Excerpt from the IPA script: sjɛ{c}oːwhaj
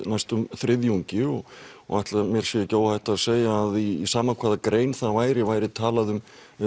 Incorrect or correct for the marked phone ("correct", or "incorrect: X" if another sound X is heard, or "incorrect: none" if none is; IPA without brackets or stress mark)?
correct